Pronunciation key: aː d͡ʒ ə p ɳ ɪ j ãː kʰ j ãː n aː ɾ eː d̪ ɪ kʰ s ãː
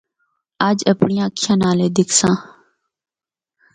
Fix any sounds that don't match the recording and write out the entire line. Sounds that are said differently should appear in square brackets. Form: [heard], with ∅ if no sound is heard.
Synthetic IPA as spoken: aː d͡ʒ ə p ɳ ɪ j ãː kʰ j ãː n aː [l] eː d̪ ɪ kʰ s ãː